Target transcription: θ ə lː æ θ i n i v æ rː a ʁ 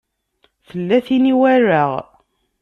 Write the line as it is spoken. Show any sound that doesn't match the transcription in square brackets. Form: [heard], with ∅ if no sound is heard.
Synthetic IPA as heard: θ ə lː æ θ i n i [w] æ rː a ʁ